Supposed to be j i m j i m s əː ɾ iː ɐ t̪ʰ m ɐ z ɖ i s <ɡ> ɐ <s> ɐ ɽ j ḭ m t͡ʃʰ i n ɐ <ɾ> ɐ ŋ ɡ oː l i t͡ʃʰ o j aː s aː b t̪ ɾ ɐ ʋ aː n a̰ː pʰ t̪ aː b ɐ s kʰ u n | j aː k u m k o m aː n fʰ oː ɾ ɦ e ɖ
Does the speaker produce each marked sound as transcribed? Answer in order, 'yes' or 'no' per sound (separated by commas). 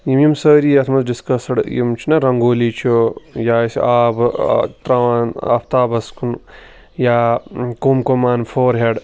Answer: no, yes, yes